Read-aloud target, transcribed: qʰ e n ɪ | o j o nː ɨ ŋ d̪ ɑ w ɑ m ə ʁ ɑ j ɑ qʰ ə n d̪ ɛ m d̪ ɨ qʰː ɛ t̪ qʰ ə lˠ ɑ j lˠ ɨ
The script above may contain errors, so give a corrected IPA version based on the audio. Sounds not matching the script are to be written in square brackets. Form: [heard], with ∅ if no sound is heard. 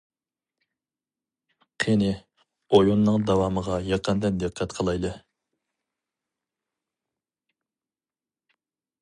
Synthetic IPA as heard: qʰ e n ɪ | o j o nː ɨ ŋ d̪ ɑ w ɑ m ə ʁ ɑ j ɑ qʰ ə n d̪ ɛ [n] d̪ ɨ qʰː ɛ t̪ qʰ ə lˠ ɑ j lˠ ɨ

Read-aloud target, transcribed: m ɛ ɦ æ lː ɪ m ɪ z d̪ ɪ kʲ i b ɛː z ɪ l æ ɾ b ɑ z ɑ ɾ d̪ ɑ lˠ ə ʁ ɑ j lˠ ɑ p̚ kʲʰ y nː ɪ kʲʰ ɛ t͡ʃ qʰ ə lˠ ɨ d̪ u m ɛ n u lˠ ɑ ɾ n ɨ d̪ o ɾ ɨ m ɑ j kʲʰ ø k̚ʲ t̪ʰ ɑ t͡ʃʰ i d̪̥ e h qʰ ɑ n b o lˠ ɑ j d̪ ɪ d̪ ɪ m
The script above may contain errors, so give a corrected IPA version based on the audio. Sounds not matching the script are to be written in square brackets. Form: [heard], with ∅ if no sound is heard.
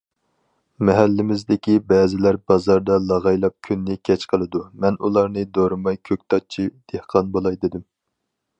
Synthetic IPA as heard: m ɛ ɦ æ lː ɪ m ɪ z d̪ ɪ kʲ i b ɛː z ɪ l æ ɾ b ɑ z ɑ ɾ d̪ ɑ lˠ [ɑ] ʁ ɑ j lˠ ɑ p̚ kʲʰ y nː ɪ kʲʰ ɛ t͡ʃ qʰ ə lˠ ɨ d̪ u m ɛ n u lˠ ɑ ɾ n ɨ d̪ o ɾ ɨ m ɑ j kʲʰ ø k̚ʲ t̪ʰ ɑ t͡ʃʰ i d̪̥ e h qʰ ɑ n b o lˠ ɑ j d̪ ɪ d̪ ɪ m

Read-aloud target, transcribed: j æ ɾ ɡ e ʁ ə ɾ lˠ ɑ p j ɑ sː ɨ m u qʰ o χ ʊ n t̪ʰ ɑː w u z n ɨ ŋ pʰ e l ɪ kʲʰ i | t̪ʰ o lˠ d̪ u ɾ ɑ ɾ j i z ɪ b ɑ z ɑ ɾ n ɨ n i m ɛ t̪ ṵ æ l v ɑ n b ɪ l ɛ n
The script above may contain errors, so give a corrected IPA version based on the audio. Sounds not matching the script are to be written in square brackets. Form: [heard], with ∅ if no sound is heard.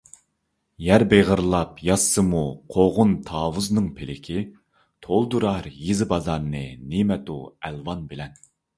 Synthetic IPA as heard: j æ ɾ [b] e ʁ ə ɾ lˠ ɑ p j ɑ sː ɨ m u qʰ o [ʁ] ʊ n t̪ʰ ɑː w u z n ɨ ŋ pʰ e l ɪ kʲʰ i | t̪ʰ o lˠ d̪ u ɾ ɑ ɾ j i z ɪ b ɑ z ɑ ɾ n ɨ n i m ɛ t̪ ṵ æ l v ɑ n b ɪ l ɛ n

